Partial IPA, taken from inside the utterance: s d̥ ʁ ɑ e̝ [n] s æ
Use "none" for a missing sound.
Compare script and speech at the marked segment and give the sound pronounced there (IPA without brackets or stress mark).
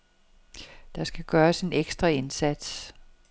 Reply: n